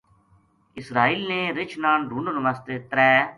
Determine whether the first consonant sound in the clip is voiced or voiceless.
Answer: voiceless